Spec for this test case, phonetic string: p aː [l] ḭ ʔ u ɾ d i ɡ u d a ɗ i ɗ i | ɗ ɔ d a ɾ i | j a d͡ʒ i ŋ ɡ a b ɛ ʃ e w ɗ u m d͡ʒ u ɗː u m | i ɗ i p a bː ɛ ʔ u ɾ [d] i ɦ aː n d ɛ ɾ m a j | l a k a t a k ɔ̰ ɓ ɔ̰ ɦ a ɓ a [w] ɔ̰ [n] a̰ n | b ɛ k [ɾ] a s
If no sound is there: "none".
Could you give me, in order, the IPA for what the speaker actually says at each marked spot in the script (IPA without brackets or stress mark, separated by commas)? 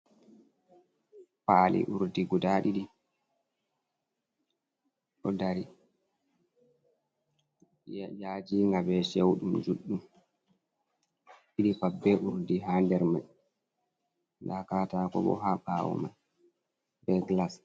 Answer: l, d, w, m, l